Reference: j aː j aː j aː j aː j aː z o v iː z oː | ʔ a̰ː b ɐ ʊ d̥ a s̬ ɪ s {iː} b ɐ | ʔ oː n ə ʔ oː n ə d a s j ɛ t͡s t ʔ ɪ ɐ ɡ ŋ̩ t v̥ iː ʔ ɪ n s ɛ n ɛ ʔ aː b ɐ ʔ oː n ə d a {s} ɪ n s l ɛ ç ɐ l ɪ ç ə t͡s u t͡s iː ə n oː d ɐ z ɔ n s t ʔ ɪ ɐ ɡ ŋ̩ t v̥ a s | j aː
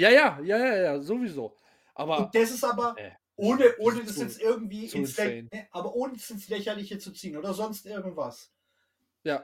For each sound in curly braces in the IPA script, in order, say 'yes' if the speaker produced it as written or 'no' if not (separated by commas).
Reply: no, yes